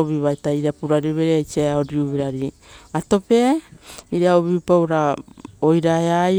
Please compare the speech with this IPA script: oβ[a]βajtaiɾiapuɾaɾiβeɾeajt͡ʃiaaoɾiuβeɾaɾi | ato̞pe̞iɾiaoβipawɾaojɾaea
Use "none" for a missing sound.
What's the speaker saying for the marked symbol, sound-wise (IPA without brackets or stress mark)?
i